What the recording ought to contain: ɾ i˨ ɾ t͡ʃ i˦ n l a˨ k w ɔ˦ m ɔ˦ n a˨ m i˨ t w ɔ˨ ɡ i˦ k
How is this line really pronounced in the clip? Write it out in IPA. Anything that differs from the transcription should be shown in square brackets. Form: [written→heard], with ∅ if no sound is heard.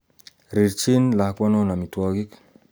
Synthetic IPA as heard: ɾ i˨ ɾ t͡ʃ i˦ n l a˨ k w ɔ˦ [m→n] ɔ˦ n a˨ m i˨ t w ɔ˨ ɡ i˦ k